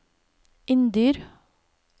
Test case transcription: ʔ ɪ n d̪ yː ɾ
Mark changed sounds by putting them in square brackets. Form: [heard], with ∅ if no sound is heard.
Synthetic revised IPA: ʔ ɪ n d̪ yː ɾ